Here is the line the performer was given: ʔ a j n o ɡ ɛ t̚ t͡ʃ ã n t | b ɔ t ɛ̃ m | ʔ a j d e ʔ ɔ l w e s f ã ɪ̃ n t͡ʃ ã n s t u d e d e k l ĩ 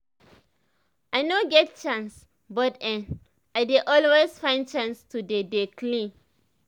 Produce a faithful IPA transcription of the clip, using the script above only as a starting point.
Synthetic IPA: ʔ a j n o ɡ ɛ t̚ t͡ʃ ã n s | b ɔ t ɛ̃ n | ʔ a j d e ʔ ɔ l w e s f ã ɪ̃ n t͡ʃ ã n s t u d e d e k l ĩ